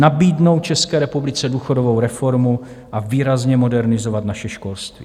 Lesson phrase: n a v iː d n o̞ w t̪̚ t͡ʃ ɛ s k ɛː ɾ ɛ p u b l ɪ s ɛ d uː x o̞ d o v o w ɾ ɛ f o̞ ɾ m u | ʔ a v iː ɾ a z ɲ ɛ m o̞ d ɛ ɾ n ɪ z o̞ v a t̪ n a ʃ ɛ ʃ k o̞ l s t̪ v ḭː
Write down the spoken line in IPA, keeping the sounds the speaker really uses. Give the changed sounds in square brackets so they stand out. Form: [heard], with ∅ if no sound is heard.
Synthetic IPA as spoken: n a [b] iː d n o̞ w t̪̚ t͡ʃ ɛ s k ɛː ɾ ɛ p u b l ɪ [t͡s] ɛ d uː x o̞ d o v o w ɾ ɛ f o̞ ɾ m u | ʔ a v iː ɾ a z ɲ ɛ m o̞ d ɛ ɾ n ɪ z o̞ v a t̪ n a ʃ ɛ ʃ k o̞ l s t̪ v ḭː

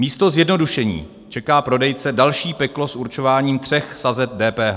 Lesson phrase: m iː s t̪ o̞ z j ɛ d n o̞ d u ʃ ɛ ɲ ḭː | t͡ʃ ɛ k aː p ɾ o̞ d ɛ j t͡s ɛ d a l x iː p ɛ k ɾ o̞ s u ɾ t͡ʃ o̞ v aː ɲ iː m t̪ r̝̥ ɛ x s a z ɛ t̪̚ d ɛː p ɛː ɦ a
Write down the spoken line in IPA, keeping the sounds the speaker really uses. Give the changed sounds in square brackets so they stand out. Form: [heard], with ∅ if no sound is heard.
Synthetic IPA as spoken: m iː s t̪ o̞ z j ɛ d n o̞ d u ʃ ɛ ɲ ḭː | t͡ʃ ɛ k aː p ɾ o̞ d ɛ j t͡s ɛ d a l [ʃ] iː p ɛ k [l] o̞ s u ɾ t͡ʃ o̞ v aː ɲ iː m t̪ r̝̥ ɛ x s a z ɛ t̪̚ d ɛː p ɛː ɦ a

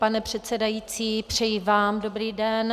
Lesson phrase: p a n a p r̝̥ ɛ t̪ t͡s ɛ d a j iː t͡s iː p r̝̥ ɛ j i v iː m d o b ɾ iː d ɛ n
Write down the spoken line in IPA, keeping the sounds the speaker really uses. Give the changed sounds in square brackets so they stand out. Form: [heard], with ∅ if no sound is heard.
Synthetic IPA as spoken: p a n [ɛ] p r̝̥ ɛ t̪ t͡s ɛ d a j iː t͡s iː p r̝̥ ɛ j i v [aː] m d o b ɾ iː d ɛ n

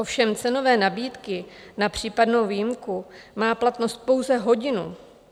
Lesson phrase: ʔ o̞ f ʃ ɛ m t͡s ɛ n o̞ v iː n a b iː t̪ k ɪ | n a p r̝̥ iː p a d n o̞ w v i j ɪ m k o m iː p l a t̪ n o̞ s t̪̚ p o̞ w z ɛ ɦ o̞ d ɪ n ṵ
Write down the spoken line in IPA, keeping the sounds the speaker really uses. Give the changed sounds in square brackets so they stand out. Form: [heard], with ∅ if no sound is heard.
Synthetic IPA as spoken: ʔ o̞ f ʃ ɛ m t͡s ɛ n o̞ v [ɛː] n a b iː t̪ k ɪ | n a p r̝̥ iː p a d n o̞ w v i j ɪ m k [u] m [aː] p l a t̪ n o̞ s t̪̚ p o̞ w z ɛ ɦ o̞ [ɟ] ɪ n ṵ

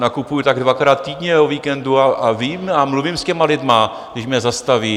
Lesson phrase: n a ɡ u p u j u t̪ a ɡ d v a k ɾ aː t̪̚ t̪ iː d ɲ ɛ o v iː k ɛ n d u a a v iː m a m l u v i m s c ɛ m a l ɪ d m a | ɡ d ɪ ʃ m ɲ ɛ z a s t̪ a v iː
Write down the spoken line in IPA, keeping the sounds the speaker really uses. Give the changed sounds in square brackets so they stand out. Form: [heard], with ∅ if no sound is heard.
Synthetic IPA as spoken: n a [k] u p u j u t̪ a ɡ d v a k ɾ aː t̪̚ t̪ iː d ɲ ɛ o v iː k ɛ n d u a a v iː m a m l u v i m s c ɛ m a l ɪ d m a | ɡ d ɪ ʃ m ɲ ɛ z a s t̪ a v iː

